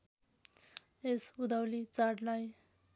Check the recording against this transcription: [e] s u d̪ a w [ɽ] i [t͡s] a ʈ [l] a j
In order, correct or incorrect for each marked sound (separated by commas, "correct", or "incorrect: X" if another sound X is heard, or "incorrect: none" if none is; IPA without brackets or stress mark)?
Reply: correct, incorrect: l, correct, correct